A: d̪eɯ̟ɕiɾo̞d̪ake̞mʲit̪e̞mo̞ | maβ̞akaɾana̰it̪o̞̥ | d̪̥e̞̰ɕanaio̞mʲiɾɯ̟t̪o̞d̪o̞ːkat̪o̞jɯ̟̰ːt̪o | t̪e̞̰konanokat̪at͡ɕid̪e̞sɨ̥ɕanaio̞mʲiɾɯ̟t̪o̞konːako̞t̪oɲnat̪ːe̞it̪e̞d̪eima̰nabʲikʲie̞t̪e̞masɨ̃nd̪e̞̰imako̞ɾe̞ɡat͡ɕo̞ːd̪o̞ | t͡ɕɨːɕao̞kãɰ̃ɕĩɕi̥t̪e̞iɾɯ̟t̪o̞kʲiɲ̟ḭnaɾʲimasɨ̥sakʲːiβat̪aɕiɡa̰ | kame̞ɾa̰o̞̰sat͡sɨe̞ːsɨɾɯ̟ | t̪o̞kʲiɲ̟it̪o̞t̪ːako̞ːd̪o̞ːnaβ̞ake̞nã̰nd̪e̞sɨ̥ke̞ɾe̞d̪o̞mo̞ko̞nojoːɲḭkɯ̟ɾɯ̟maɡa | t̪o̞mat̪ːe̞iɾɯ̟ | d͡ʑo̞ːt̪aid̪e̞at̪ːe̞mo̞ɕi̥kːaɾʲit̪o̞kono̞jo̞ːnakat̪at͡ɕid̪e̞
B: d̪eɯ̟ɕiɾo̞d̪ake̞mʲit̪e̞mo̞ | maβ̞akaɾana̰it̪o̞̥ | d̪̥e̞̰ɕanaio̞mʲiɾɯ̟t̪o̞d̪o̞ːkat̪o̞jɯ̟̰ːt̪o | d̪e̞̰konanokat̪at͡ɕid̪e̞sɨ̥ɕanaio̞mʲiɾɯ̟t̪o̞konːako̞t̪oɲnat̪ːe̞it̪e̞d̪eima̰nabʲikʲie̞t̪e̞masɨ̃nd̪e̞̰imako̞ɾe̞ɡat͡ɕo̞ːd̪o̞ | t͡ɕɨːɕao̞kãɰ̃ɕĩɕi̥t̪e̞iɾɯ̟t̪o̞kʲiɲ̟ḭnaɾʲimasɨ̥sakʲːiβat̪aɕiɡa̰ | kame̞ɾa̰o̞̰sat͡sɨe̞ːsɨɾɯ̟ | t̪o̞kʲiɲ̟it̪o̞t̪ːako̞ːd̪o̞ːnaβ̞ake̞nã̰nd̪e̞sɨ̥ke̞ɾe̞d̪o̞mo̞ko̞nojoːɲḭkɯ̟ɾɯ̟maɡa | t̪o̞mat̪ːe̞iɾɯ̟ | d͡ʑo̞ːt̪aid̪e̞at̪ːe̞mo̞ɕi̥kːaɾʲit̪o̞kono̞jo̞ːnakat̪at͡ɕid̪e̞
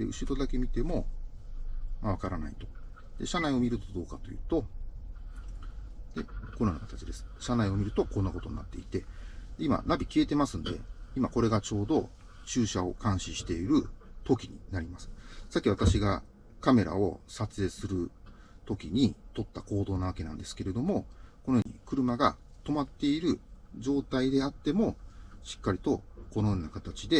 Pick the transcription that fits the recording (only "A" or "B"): B